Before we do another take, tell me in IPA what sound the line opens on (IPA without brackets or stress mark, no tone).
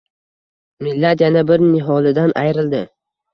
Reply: m